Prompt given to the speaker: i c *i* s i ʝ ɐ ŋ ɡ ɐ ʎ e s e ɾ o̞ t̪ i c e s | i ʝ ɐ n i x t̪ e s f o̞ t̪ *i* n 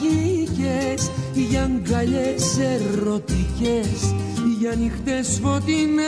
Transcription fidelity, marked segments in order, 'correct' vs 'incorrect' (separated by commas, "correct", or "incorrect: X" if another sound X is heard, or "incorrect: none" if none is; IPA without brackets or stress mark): incorrect: e, correct